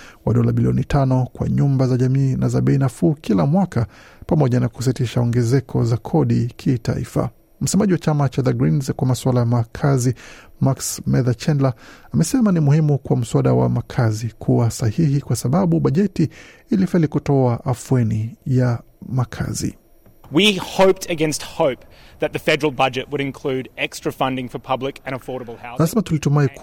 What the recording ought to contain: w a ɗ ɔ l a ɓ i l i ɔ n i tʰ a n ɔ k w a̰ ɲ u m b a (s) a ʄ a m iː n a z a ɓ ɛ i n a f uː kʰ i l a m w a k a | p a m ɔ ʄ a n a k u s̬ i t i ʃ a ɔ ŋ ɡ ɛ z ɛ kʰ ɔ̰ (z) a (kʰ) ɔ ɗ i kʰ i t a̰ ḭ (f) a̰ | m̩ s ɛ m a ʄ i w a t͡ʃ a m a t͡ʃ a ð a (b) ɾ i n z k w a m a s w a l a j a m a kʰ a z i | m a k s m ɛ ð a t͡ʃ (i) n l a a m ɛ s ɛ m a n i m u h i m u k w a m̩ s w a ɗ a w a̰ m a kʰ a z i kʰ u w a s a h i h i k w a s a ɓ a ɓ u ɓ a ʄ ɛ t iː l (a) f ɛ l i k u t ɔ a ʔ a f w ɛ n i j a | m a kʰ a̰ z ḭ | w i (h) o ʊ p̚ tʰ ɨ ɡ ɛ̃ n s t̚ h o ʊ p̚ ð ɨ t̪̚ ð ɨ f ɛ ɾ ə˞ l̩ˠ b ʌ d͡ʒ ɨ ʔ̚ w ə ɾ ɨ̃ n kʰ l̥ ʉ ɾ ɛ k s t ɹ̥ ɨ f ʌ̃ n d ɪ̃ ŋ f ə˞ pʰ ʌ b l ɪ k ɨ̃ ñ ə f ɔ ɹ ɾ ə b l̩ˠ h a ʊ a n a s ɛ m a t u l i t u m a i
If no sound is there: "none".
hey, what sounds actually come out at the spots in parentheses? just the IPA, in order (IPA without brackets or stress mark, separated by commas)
z, z, kʰ, f, ɡ, ɛ, i, h